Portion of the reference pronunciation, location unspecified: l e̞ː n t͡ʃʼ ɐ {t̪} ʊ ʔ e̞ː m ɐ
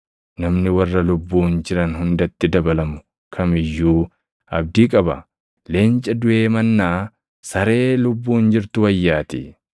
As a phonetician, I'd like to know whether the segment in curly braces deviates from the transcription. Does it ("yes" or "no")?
yes